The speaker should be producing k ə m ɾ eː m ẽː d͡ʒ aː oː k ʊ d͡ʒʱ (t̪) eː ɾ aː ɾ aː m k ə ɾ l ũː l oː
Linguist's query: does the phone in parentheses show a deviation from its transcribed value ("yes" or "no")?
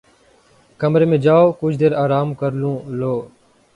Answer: yes